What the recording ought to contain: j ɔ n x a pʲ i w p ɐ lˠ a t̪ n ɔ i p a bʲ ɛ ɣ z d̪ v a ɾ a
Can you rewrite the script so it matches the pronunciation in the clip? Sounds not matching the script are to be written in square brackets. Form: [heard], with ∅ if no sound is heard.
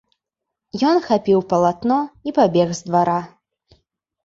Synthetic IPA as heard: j ɔ n x a pʲ i w p ɐ lˠ a t̪ n ɔ i p a bʲ ɛ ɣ z d̪ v a ɾ a